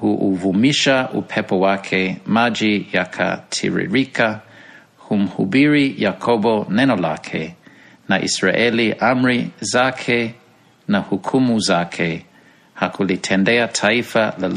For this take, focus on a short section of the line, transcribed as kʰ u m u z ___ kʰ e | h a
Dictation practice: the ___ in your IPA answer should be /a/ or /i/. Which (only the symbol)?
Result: a